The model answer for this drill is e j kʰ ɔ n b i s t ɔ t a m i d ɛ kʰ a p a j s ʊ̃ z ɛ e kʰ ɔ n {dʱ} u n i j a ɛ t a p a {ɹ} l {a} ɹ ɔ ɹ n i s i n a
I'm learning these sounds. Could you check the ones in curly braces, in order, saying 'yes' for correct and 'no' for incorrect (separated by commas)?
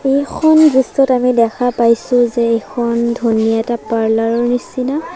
yes, yes, yes